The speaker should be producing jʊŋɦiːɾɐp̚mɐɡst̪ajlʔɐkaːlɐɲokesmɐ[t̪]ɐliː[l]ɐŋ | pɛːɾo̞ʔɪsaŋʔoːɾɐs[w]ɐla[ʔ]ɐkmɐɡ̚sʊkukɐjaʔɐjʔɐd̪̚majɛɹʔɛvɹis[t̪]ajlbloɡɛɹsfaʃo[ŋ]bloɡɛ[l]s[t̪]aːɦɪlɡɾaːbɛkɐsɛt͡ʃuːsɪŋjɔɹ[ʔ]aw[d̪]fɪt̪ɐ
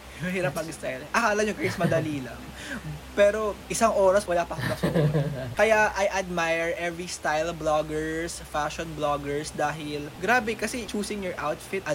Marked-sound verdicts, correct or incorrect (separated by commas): incorrect, correct, correct, incorrect, correct, incorrect, incorrect, incorrect, correct, incorrect